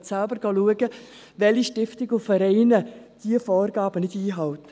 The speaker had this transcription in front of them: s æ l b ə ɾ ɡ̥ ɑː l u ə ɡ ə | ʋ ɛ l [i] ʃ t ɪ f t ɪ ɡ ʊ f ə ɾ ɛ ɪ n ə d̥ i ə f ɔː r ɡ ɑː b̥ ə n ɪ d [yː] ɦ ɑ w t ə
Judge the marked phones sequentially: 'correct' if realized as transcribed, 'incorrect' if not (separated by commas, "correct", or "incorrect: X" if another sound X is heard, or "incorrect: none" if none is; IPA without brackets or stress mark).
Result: correct, incorrect: iː